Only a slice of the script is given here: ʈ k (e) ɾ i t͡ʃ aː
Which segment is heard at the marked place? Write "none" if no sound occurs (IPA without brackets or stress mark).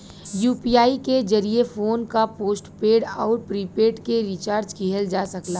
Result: e